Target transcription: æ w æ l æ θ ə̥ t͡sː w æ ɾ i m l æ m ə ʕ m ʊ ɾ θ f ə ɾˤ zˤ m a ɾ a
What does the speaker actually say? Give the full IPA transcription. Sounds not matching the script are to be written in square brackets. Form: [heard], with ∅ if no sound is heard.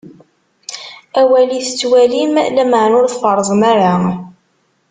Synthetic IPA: æ w æ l [i] θ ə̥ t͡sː w æ [l] i m l æ m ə ʕ [n] ʊ ɾ θ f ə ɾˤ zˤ m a ɾ a